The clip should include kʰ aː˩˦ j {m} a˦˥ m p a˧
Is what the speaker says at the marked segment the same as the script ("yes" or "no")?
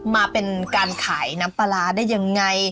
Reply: no